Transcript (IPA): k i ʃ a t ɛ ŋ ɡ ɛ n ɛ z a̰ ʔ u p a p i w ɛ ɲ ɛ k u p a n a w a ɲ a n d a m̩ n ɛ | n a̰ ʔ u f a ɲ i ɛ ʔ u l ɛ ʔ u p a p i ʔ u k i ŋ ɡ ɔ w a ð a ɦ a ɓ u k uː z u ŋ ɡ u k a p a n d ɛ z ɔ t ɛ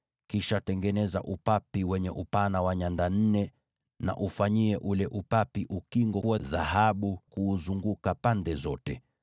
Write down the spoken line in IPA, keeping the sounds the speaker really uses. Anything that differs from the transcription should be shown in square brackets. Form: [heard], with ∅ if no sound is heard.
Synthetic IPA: k i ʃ a t ɛ ŋ ɡ ɛ n ɛ z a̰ ʔ u p a p i w ɛ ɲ ɛ [ʔ] u p a n a w a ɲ a n d a [n̩] n ɛ | n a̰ ʔ u f a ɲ i ɛ ʔ u l ɛ ʔ u p a p i ʔ u k i ŋ ɡ ɔ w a ð a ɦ a ɓ u k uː z u ŋ ɡ u k a p a n d ɛ z ɔ t ɛ